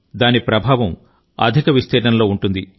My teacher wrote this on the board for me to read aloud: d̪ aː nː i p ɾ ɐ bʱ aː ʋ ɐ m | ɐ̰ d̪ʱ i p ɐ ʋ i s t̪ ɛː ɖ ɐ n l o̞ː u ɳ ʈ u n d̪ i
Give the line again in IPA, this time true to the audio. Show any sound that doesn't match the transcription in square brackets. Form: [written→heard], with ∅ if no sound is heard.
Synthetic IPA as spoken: d̪ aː [nː→n] i p ɾ ɐ bʱ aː ʋ ɐ m | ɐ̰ d̪ʱ i [p→k] ɐ ʋ i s t̪ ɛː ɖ ɐ n l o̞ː u ɳ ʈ u n d̪ i